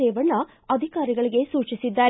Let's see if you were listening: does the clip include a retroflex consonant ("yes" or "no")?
yes